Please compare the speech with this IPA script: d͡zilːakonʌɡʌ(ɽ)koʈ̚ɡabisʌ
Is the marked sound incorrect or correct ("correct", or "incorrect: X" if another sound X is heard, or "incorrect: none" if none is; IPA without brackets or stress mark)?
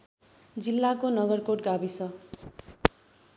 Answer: incorrect: r